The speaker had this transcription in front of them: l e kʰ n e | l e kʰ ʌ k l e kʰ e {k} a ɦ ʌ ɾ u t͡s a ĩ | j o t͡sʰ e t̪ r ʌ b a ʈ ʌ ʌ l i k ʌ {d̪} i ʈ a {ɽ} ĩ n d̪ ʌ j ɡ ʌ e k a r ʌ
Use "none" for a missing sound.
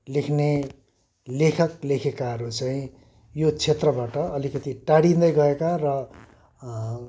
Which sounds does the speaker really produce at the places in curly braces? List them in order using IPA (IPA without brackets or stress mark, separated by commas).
k, t̪, ɽ